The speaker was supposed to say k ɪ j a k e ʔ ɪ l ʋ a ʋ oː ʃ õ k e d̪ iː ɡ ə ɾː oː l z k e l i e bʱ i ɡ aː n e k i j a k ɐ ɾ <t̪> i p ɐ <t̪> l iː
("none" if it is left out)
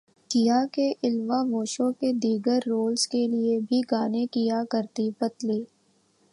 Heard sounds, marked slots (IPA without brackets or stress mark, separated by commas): t̪, t̪